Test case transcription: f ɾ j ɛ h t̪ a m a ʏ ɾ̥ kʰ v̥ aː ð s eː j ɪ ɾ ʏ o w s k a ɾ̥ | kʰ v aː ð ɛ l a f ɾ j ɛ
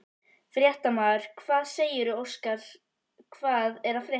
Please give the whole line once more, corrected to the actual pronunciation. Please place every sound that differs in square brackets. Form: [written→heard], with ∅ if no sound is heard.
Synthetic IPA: f ɾ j ɛ h t̪ a m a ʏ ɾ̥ kʰ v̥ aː ð s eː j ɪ ɾ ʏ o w s k a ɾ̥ | kʰ v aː ð ɛ [l→ɾ] a f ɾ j ɛ